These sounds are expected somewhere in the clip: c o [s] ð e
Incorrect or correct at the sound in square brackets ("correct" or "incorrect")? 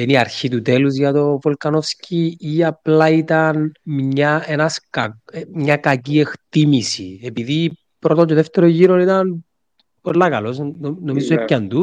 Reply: incorrect